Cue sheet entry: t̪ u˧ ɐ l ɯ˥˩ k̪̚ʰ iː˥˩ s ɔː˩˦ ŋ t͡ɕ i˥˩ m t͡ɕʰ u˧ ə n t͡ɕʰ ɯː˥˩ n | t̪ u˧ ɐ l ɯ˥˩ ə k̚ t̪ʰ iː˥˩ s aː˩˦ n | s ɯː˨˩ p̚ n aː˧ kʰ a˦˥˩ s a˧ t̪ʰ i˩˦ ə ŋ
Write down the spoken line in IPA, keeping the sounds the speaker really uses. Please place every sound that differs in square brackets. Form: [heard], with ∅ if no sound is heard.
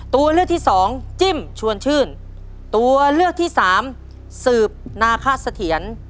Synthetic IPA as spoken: t̪ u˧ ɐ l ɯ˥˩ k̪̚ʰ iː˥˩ s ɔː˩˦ ŋ t͡ɕ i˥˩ m t͡ɕʰ u˧ ə n t͡ɕʰ ɯː˥˩ n | t̪ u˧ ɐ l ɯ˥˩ ə k̚ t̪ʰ iː˥˩ s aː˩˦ [m] | s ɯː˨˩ p̚ n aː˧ kʰ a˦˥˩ s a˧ t̪ʰ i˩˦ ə [n]